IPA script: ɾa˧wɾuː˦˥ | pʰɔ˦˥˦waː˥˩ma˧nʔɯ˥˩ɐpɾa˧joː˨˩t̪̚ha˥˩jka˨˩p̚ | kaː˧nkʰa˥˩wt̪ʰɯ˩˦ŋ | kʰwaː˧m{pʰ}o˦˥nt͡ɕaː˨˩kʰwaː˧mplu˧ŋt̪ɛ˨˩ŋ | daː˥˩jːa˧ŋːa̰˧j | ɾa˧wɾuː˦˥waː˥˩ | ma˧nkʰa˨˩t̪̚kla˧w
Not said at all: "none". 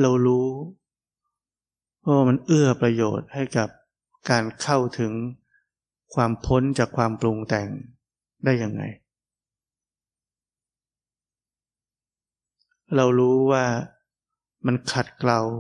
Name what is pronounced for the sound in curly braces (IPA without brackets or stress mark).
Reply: pʰ